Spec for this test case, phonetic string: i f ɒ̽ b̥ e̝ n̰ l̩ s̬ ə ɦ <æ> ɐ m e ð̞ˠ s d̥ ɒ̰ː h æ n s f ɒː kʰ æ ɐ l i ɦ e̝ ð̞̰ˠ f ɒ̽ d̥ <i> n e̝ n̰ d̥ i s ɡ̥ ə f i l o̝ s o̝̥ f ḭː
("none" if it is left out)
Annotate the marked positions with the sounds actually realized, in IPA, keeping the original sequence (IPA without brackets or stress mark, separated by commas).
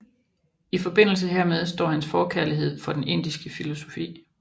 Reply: e, e